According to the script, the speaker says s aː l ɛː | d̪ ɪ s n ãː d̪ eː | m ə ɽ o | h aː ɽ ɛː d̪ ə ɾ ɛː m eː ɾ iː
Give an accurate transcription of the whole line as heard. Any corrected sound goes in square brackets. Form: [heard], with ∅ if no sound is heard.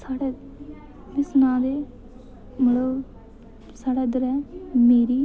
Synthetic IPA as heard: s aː [ɽ] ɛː | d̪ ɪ s n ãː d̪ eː | m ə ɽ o | [s] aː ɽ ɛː d̪ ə ɾ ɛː m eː ɾ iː

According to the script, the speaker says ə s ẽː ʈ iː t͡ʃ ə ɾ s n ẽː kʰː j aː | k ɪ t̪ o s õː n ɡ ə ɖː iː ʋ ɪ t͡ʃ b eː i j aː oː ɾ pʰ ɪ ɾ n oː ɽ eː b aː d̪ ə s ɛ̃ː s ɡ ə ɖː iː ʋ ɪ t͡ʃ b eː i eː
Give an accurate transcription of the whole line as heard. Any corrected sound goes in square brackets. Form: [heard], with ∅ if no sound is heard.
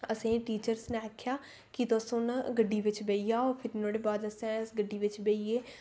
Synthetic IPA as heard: ə s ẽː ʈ iː t͡ʃ ə ɾ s n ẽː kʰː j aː | k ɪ t̪ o s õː n ɡ ə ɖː iː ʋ ɪ t͡ʃ b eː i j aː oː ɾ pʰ ɪ ɾ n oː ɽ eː b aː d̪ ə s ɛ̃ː s ɡ ə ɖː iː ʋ ɪ t͡ʃ b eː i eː

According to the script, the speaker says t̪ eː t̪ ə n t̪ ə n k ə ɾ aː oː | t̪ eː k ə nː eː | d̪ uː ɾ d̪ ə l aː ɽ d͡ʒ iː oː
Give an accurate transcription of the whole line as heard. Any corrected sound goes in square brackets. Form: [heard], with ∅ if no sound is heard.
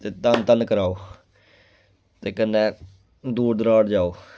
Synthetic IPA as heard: t̪ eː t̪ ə n t̪ ə n k ə ɾ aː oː | t̪ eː k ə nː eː | d̪ uː ɾ d̪ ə [ɾ] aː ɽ d͡ʒ [aː] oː

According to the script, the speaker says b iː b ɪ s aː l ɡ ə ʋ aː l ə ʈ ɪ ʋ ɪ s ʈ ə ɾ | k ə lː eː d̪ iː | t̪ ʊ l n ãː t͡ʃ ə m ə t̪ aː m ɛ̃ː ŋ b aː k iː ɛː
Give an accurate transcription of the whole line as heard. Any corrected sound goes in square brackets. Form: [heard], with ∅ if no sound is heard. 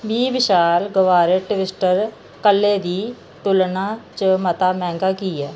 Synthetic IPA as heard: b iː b ɪ [ʃ] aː l ɡ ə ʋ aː [ɾ] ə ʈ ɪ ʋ ɪ s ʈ ə ɾ | k ə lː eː d̪ iː | t̪ ʊ l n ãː t͡ʃ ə m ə t̪ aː m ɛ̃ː ŋ [ɡ] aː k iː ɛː

